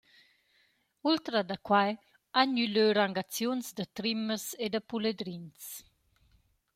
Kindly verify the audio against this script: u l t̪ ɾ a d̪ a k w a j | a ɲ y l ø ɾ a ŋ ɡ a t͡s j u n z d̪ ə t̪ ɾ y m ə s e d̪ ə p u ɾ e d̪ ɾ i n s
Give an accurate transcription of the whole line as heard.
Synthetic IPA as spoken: u l t̪ ɾ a d̪ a k w a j | a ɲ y l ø ɾ a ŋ ɡ a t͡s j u n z d̪ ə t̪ ɾ i m ə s e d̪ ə p u l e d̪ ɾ i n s